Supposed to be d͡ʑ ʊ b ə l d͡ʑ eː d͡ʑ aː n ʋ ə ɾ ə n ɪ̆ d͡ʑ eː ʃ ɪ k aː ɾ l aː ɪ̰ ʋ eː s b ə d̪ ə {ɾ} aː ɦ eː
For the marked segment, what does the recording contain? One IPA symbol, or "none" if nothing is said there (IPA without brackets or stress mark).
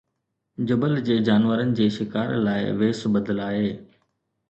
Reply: l